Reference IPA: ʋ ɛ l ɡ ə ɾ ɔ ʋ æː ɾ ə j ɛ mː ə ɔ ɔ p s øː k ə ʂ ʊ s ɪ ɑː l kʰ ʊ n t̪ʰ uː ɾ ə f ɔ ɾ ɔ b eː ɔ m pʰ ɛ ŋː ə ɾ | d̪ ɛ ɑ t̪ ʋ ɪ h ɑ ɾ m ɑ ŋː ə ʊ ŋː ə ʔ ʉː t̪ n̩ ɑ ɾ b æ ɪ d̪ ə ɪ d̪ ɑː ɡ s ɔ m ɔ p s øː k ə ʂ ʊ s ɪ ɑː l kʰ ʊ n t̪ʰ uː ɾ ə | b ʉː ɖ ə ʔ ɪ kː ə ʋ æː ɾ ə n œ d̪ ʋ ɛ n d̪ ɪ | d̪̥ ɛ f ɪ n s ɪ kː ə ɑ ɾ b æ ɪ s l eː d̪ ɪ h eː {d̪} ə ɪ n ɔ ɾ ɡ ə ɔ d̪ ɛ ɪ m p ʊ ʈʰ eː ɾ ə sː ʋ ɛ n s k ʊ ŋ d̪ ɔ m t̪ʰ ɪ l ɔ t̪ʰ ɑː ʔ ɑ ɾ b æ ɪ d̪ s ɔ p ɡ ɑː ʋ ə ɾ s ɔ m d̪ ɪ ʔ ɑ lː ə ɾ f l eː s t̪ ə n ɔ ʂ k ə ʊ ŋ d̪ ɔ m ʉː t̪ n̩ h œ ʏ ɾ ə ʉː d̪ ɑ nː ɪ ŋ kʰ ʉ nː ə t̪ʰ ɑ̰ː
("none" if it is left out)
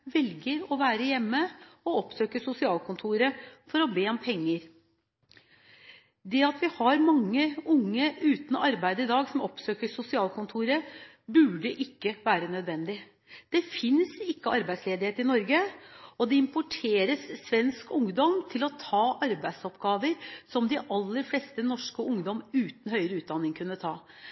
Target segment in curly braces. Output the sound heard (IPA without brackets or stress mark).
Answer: t̪